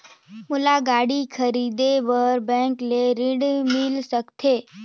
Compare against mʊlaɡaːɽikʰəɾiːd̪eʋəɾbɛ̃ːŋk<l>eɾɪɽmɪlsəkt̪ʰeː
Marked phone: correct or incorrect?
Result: correct